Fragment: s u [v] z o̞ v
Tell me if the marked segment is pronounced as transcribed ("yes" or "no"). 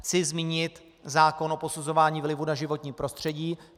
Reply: no